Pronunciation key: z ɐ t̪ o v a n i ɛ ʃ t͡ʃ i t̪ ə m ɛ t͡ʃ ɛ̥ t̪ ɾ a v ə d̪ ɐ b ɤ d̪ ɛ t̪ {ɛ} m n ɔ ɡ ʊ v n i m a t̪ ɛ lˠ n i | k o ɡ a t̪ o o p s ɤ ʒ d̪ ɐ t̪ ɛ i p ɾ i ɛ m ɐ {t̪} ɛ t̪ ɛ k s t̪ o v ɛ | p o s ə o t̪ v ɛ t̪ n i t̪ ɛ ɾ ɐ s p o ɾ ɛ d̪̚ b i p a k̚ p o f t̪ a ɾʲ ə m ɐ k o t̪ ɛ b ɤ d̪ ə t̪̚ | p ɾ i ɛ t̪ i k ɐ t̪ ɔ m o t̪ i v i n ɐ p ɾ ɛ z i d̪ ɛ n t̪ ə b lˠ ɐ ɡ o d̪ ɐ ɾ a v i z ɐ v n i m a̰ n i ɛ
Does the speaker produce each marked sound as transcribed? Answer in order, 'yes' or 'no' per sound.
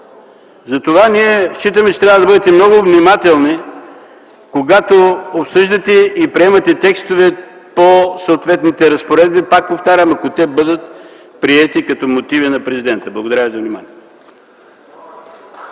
yes, yes

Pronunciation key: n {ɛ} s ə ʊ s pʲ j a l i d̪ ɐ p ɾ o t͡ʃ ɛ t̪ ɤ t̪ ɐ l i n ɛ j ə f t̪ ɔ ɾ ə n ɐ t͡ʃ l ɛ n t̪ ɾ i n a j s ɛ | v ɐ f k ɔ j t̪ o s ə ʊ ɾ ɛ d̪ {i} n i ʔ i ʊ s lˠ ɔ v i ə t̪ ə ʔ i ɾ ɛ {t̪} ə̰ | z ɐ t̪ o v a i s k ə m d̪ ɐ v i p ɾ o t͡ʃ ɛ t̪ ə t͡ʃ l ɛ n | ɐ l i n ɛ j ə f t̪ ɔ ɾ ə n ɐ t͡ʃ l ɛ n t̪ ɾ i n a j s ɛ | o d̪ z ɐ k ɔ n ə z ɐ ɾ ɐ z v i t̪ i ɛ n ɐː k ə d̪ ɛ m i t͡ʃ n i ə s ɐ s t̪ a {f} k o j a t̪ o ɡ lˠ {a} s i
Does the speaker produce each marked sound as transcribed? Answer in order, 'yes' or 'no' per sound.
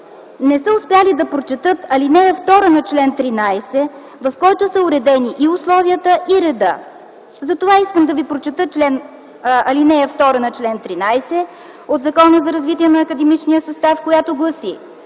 yes, no, no, yes, no

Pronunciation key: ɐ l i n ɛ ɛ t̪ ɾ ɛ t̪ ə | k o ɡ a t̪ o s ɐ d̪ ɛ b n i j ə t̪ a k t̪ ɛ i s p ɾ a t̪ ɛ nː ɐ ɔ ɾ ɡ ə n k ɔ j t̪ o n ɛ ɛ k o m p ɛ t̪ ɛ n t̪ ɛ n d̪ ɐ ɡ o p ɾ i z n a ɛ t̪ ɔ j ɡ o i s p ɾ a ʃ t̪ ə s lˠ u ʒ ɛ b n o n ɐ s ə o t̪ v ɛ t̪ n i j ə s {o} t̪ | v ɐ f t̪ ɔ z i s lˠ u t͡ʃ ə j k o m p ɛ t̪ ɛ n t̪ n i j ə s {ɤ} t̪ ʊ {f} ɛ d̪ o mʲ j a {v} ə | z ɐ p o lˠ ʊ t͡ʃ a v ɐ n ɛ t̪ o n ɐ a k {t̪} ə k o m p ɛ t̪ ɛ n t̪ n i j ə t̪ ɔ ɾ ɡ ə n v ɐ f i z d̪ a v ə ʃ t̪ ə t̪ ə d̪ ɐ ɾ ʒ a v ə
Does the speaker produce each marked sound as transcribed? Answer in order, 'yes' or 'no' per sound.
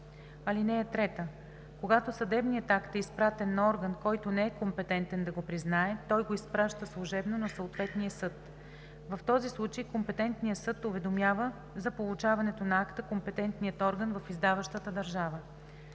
no, yes, no, yes, yes

